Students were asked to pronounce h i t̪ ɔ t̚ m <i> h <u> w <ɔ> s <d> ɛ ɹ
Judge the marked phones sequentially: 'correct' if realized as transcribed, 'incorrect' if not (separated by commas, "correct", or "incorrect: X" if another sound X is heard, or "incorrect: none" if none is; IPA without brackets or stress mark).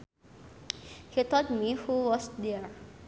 correct, correct, correct, correct